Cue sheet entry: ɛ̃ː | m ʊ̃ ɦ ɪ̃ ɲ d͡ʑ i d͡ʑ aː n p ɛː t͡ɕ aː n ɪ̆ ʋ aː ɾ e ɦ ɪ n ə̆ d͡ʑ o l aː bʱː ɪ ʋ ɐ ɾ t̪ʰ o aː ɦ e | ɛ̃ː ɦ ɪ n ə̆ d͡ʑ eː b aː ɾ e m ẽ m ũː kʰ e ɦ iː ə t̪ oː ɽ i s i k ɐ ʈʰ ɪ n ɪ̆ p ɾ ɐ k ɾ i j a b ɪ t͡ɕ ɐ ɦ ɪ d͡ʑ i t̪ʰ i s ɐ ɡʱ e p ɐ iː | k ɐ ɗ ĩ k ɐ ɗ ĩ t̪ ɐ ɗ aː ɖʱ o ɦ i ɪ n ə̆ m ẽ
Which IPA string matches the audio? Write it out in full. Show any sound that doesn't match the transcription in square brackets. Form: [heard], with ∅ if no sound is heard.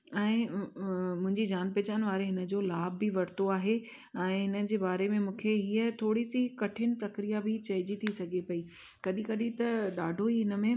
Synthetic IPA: ɛ̃ː | m ʊ̃ ɦ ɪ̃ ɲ d͡ʑ i d͡ʑ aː n p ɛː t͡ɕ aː n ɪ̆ ʋ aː ɾ e ɦ ɪ n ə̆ d͡ʑ o l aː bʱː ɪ ʋ ɐ ɾ [t̪] o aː ɦ e | ɛ̃ː ɦ ɪ n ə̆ d͡ʑ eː b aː ɾ e m ẽ m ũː kʰ e ɦ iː ə [t̪ʰ] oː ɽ i s i k ɐ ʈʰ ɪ n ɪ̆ p ɾ ɐ k ɾ i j a b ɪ t͡ɕ ɐ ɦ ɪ d͡ʑ i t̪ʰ i s ɐ ɡʱ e p ɐ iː | k ɐ ɗ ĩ k ɐ ɗ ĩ t̪ ɐ ɗ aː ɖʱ o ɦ i ɪ n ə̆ m ẽ